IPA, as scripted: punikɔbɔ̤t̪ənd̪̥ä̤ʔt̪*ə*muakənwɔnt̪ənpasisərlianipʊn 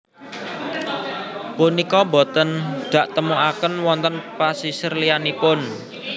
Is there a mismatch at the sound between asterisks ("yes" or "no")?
no